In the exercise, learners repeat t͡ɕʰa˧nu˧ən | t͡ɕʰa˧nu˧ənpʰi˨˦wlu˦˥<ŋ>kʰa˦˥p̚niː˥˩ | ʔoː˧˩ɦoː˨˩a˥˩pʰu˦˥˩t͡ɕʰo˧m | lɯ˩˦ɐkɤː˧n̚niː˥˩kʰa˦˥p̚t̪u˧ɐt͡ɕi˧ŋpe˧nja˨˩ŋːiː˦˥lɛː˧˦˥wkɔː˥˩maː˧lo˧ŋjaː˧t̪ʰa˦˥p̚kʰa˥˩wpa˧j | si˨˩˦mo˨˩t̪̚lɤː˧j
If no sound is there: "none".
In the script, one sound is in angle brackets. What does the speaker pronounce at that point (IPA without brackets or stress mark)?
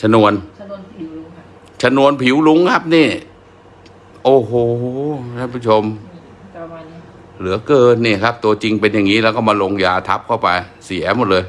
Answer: ŋ